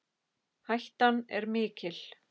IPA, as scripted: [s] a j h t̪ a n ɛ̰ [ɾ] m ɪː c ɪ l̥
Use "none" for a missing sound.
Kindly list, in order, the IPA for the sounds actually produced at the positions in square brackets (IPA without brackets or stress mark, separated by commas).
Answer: h, ɾ